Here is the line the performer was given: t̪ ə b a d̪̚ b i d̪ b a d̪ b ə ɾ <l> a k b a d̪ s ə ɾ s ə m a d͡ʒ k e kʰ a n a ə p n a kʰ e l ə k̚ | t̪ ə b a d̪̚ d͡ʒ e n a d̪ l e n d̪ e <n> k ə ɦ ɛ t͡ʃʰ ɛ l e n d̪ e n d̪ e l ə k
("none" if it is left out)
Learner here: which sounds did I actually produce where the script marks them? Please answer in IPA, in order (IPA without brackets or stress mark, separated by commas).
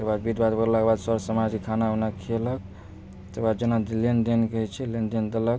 l, n